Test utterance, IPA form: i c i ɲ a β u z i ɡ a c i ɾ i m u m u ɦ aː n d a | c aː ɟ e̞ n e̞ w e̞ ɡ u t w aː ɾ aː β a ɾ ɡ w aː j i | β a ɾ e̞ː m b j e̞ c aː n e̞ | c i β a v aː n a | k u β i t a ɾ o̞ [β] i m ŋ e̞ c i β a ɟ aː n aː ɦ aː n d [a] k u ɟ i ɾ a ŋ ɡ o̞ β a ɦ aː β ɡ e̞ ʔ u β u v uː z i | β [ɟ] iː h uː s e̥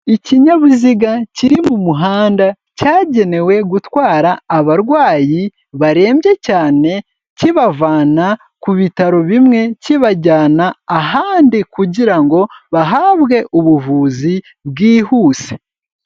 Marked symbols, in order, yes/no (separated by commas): yes, no, no